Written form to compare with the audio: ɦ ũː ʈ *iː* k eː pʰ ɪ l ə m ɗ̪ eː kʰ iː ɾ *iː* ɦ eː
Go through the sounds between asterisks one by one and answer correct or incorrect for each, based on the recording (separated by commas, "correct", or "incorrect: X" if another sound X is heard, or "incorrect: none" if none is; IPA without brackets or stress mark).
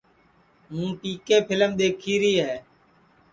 correct, correct